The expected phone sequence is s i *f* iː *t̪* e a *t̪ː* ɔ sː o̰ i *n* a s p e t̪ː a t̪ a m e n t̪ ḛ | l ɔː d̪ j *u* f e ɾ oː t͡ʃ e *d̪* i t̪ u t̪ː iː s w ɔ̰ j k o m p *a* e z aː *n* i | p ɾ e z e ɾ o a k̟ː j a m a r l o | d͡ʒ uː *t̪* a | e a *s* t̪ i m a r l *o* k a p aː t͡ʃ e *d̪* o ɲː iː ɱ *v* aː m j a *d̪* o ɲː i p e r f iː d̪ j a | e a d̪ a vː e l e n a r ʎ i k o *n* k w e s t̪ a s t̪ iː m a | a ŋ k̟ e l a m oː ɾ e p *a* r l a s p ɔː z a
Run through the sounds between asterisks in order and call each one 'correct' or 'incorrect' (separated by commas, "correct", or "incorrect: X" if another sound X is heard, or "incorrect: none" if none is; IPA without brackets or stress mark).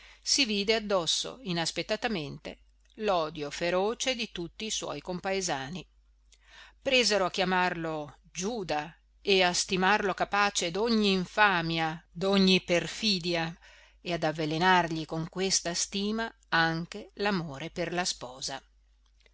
incorrect: v, incorrect: d̪, incorrect: d̪ː, correct, incorrect: o, correct, correct, correct, incorrect: d̪, correct, correct, correct, incorrect: f, correct, incorrect: ŋ, incorrect: e